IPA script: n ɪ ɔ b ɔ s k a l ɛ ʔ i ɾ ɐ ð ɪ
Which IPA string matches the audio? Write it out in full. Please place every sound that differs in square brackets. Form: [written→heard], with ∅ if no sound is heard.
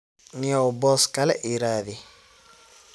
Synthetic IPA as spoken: n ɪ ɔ b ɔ s k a l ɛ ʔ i ɾ [ɐ→a] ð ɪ